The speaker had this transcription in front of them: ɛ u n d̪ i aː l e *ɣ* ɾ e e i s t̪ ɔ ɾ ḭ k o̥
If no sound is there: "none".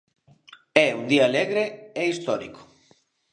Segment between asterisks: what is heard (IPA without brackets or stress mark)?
ɣ